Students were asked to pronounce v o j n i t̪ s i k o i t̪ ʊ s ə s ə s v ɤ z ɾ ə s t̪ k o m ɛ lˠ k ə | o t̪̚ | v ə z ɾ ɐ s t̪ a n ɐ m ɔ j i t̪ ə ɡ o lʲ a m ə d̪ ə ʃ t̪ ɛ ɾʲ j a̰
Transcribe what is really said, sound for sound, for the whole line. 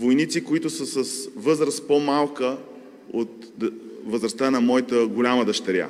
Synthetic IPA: v o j n i t̪ s i k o i t̪ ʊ s ə s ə s v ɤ z ɾ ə s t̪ p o m a lˠ k ə | o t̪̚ | v ə z ɾ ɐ s t̪ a n ɐ m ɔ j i t̪ ə ɡ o lʲ a m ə d̪ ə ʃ t̪ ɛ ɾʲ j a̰